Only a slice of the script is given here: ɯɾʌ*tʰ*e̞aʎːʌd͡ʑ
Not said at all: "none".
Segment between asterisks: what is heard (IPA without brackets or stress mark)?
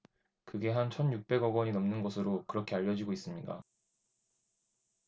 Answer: kʰ